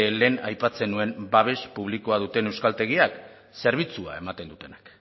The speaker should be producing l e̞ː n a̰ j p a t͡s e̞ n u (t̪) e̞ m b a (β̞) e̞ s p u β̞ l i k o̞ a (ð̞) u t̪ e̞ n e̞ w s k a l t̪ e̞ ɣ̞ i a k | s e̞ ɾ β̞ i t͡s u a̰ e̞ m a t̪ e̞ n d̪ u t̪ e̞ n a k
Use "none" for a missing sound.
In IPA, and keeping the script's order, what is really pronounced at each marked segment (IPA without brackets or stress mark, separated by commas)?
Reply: none, β̞, ð̞